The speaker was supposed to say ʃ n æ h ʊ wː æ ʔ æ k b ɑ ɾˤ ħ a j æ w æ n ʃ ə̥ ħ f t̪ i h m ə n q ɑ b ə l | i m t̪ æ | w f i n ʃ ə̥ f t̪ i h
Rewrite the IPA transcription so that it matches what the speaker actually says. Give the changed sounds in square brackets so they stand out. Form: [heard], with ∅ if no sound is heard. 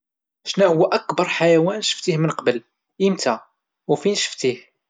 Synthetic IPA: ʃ n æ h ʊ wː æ ʔ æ k b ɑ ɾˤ ħ a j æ w æ n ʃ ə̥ [∅] f t̪ i h m ə n q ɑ b ə l | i m t̪ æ | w f i n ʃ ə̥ f t̪ i h